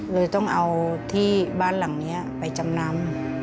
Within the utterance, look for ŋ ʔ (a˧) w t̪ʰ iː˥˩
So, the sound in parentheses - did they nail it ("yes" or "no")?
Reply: yes